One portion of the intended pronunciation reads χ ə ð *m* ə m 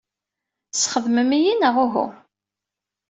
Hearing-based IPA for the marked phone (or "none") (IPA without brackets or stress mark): m